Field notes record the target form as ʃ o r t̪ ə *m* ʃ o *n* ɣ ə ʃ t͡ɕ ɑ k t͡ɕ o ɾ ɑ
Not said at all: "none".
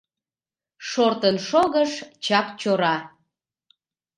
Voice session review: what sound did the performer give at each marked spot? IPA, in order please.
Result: n, none

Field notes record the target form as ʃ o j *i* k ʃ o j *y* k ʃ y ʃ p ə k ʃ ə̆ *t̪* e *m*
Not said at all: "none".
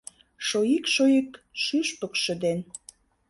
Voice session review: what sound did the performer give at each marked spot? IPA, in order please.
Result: i, i, d̪, n

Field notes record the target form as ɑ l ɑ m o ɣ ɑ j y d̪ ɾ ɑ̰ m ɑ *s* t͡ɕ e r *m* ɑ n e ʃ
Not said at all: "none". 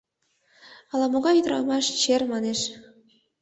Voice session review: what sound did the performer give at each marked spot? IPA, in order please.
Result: ʃ, m

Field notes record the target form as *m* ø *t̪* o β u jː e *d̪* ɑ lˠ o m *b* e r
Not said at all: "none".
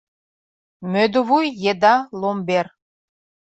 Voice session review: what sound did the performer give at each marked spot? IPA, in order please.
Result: m, d̪, d̪, b

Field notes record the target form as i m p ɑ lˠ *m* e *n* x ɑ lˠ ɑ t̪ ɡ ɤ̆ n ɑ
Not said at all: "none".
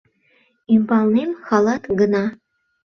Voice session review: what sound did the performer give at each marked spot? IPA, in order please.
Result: n, m

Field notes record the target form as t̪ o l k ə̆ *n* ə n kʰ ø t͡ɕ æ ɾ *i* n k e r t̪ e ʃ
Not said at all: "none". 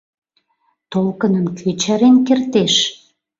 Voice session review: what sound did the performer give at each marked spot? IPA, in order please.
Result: n, e

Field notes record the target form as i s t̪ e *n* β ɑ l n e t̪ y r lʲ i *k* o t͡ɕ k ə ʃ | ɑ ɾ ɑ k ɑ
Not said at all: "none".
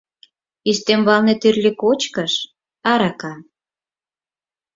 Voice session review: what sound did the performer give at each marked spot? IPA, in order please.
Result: m, k

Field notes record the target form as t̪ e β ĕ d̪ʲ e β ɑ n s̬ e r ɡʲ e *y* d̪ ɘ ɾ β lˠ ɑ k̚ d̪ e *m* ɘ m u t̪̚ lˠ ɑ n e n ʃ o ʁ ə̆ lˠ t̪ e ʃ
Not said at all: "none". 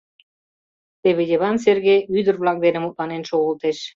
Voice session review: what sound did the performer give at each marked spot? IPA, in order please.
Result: y, n

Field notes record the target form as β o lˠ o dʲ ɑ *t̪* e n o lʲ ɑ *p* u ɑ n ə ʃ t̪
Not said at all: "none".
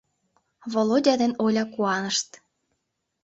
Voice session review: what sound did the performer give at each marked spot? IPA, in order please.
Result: d̪, k

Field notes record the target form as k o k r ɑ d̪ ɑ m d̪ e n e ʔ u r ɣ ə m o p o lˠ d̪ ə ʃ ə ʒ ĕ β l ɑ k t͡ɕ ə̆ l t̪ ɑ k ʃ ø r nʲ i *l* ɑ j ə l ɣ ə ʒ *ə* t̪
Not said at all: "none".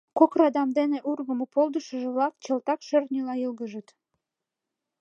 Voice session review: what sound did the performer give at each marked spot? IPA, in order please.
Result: l, ə

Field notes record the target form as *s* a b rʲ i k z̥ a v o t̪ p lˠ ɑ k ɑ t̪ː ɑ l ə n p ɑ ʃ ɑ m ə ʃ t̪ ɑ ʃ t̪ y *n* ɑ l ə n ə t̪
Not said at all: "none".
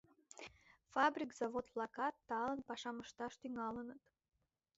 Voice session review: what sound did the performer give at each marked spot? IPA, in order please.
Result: f, ŋ

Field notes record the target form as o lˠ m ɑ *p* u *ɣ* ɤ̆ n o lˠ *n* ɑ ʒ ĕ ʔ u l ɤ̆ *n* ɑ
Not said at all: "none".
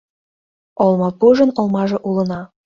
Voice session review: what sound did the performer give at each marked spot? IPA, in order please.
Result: p, ʒ, m, n

